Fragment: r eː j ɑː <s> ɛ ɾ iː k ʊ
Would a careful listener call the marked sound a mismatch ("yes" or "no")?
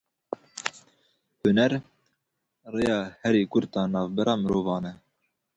yes